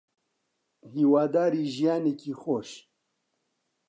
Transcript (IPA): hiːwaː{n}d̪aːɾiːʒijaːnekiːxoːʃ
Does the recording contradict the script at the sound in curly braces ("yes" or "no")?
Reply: yes